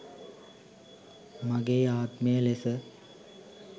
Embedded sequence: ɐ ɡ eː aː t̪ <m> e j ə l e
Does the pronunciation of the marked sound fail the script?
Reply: no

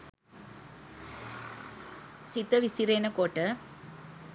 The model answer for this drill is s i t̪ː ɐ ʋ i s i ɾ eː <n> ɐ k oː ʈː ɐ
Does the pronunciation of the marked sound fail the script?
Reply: no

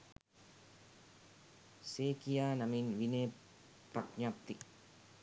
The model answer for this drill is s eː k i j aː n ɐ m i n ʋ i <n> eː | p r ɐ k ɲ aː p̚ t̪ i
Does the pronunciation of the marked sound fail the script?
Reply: no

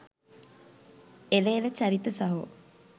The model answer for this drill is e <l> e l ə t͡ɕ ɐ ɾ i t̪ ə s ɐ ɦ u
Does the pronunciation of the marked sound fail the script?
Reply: no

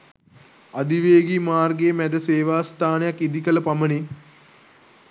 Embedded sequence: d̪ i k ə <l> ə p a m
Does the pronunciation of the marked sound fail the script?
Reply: no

